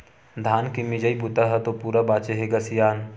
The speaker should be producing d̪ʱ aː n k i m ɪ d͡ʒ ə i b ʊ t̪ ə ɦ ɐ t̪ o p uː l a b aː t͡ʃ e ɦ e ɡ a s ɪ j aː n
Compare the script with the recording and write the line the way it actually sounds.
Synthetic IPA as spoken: d̪ʱ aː n k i m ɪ d͡ʒ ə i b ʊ t̪ a ɦ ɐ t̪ o p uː ɾ a b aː t͡ʃ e ɦ e ɡ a s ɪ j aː n